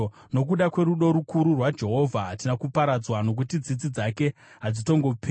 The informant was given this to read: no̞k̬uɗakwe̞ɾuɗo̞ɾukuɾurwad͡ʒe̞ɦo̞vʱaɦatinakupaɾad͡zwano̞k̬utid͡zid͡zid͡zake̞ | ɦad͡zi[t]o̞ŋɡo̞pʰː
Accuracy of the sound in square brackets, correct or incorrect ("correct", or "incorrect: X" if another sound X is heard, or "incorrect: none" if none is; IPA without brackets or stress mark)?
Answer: correct